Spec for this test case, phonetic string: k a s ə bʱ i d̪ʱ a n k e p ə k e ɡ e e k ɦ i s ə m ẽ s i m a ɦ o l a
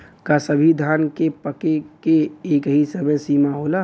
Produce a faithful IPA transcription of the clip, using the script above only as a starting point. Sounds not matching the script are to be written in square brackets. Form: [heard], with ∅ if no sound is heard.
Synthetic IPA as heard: k a s ə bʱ i d̪ʱ a n k e p ə k e [k] e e k ɦ i s ə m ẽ s i m a ɦ o l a